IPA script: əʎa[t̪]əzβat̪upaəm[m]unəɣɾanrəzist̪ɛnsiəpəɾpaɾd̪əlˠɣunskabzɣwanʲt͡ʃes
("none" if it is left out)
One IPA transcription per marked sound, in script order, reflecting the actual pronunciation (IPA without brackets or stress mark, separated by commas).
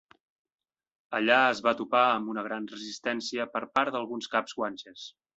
none, b